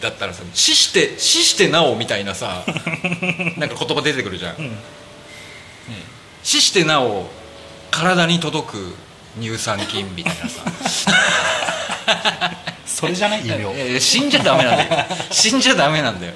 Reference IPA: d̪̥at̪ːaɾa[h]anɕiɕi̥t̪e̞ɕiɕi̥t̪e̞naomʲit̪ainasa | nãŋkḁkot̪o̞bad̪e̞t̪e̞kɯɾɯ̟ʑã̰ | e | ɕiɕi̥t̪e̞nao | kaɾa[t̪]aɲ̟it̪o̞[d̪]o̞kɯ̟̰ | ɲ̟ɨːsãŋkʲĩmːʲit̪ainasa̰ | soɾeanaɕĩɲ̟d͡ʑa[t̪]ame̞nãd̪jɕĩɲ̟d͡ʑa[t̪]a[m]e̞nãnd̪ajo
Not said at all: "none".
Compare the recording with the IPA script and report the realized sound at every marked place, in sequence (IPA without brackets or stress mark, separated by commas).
s, d̪, d̪, d̪, d̪, m